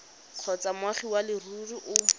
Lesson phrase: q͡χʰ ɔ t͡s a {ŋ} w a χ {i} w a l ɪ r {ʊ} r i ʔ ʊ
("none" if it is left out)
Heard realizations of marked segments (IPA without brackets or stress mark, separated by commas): m, i, u